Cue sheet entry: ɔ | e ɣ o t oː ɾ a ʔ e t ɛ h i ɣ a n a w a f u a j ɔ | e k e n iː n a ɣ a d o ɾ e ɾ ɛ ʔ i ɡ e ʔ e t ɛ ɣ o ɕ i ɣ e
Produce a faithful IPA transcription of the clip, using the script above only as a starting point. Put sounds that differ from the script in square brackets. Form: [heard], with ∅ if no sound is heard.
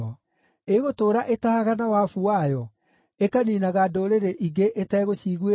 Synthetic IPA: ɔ | e ɣ o t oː ɾ a ʔ e t [a] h [a] ɣ a n a w a f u a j ɔ | e k [a] n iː n a ɣ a d o ɾ e ɾ [e] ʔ i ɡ e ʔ e t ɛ ɣ o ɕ i ɣ e